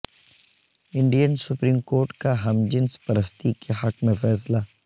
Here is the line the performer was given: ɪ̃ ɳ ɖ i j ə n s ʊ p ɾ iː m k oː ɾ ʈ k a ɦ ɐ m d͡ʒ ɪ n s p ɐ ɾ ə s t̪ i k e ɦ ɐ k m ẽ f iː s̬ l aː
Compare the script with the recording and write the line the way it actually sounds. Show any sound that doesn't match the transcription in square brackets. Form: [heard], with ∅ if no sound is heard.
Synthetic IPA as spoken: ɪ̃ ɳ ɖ i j ə n s ʊ p ɾ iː m k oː ɾ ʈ k a ɦ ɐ m d͡ʒ ɪ n s p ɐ ɾ ə s t̪ i k e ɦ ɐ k m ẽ f [ɛː] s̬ l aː